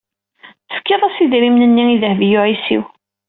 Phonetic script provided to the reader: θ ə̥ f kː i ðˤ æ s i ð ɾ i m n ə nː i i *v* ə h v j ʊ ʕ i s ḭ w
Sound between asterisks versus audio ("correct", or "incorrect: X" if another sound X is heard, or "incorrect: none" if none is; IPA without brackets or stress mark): incorrect: ð